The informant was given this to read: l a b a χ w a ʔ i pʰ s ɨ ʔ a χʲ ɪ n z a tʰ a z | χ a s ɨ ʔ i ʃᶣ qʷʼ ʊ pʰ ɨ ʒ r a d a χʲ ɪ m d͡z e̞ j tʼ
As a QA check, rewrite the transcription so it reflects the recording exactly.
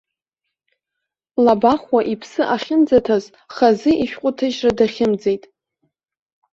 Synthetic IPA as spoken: l a b a χ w a ʔ i pʰ s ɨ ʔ a χʲ ɪ n d͡z a tʰ a z | χ a z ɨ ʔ i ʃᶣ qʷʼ ʊ tʰ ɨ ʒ r a d a χʲ ɪ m d͡z e̞ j tʼ